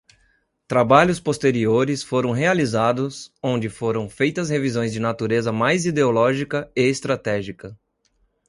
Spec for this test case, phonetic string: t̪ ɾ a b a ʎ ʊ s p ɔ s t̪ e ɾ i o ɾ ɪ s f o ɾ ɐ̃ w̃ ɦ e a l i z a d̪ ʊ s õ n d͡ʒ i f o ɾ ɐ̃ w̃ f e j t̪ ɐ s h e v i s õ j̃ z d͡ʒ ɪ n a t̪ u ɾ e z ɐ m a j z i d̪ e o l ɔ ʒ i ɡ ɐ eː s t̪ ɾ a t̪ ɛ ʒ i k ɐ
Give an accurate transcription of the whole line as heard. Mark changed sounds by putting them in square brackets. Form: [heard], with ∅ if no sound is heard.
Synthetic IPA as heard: t̪ ɾ a b a ʎ ʊ s p [o] s t̪ e ɾ i o ɾ ɪ s f o ɾ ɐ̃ w̃ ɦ e a l i z a d̪ ʊ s õ n d͡ʒ [ɪ] f o ɾ ɐ̃ w̃ f e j t̪ ɐ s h e v i [z] õ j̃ z d͡ʒ ɪ n a t̪ u ɾ e z ɐ m a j z i d̪ e o l ɔ ʒ i [k] ɐ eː s t̪ ɾ a t̪ ɛ ʒ i k ɐ